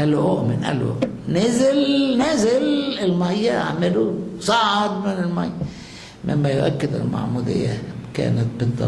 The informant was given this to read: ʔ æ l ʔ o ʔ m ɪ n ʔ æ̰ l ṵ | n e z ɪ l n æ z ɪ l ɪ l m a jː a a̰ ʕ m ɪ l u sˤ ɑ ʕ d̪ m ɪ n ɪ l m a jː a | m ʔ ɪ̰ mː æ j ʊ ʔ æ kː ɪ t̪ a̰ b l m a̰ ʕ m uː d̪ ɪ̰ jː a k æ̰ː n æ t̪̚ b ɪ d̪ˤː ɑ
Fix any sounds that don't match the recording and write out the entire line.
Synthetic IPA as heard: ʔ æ l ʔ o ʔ m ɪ n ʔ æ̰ l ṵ | n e z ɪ l n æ z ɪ l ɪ l m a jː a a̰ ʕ m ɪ l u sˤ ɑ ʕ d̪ m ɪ n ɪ l m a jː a | m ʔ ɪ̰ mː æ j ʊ ʔ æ kː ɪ d̪ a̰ l m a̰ ʕ m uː d̪ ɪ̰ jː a k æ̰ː n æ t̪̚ b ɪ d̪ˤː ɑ

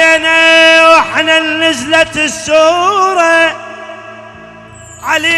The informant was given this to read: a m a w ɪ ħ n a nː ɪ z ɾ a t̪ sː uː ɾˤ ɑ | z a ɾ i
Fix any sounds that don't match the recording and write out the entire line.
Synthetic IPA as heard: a n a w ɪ ħ n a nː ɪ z l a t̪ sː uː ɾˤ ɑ | ʕ a l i

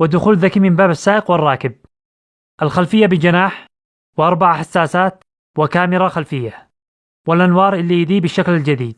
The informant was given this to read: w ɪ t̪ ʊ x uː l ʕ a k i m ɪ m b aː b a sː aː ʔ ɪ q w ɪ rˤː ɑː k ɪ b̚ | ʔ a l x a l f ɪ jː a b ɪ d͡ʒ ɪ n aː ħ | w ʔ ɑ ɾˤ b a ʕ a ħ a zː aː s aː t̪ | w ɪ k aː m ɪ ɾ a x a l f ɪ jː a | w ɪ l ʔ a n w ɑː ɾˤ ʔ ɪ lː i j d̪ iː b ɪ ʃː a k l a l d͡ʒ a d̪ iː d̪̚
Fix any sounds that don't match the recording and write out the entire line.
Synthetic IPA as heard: w ɪ d̪ ʊ x uː l ð a k i m ɪ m b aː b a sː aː ʔ ɪ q w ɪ rˤː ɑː k ɪ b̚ | ʔ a l x a l f ɪ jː a b ɪ d͡ʒ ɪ n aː ħ | w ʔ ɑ ɾˤ b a ʕ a ħ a sː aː s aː t̪ | w ɪ k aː m ɪ ɾ a x a l f ɪ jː a | w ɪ l ʔ a n w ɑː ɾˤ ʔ ɪ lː i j d̪ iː b ɪ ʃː a k l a l d͡ʒ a d̪ iː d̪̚

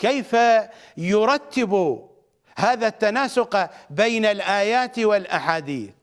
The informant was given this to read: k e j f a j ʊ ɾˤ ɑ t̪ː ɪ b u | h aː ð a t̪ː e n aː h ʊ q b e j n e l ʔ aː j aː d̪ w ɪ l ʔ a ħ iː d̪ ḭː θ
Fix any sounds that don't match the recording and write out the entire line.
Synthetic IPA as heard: k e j f a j ʊ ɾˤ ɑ t̪ː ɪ b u | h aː ð a t̪ː a n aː s ʊ q b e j n a l ʔ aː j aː t̪ w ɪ l ʔ a ħ aː d̪ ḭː θ

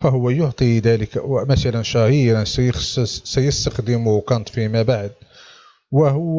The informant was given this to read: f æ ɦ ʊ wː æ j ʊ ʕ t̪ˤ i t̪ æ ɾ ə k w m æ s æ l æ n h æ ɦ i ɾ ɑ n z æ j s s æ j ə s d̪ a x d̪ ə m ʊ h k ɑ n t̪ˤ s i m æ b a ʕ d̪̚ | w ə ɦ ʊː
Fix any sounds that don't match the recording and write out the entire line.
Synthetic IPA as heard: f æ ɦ ʊ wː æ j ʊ ʕ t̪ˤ i d̪ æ l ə k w m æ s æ l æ n ʃ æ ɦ i ɾ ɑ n s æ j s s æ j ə s t̪ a x d̪ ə m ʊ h k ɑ n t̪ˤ f i m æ b a ʕ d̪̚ | w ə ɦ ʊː

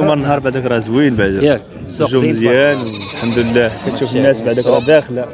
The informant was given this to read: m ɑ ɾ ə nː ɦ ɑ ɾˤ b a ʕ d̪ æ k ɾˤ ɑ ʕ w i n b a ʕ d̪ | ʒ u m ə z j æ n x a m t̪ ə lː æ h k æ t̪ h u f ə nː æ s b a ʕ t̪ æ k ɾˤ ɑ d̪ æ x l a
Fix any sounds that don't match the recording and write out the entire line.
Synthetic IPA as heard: m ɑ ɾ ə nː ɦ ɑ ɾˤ b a ʕ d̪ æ k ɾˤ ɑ z w i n b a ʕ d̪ | ʒ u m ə z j æ n ħ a m d̪ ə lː æ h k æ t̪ ʃ u f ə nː æ s b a ʕ d̪ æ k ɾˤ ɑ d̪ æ x l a

